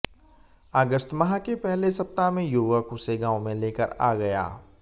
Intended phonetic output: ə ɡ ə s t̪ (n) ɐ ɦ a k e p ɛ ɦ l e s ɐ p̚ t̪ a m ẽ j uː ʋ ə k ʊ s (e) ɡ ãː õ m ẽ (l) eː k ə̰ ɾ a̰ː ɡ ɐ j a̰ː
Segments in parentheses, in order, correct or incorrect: incorrect: m, correct, correct

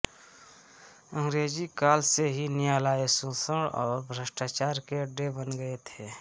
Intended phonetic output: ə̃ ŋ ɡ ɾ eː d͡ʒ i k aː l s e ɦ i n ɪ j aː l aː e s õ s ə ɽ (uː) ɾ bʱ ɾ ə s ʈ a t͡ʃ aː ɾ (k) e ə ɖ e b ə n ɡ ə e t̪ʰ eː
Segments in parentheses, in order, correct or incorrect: incorrect: ɔː, correct

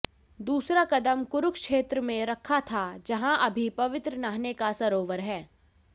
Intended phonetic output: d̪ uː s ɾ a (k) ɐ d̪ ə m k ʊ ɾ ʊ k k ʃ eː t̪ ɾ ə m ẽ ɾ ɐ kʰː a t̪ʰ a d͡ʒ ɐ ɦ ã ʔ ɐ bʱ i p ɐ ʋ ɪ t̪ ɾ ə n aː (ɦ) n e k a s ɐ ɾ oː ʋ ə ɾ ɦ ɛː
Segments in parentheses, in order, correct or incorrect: correct, correct

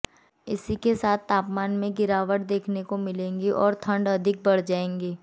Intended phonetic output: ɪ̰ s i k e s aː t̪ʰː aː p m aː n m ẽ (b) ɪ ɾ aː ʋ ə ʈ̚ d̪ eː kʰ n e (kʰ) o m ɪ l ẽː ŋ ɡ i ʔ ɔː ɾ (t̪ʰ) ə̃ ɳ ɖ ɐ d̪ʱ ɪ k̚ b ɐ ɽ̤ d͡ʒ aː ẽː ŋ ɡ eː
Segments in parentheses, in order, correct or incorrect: incorrect: ɡ, incorrect: k, correct

